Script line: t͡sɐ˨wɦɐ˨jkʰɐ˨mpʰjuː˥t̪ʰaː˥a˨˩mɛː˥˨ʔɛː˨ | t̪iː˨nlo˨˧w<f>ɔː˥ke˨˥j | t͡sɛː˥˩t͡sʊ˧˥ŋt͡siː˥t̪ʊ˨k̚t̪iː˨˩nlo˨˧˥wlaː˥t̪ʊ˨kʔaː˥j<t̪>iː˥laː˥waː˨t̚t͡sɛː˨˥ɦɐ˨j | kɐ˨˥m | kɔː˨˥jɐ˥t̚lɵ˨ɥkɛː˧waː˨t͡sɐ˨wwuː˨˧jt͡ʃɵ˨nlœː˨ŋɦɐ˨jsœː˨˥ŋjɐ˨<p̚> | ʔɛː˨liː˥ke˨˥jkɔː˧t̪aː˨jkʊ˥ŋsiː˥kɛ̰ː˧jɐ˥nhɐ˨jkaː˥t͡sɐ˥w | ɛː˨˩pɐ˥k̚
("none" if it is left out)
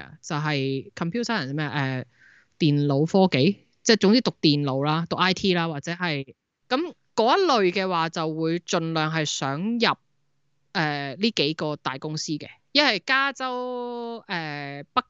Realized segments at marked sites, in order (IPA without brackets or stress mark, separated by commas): f, t̪ʰ, p̚